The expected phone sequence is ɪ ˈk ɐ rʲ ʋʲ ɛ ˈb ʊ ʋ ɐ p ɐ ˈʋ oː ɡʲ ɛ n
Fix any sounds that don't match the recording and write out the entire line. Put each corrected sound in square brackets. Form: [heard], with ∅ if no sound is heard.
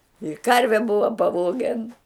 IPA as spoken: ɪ ˈk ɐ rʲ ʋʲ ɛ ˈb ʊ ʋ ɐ p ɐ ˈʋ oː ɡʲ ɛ n